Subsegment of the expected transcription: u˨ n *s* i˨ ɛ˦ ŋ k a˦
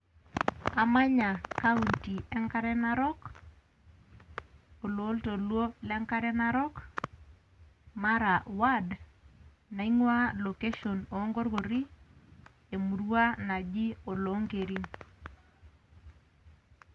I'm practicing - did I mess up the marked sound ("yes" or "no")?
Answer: yes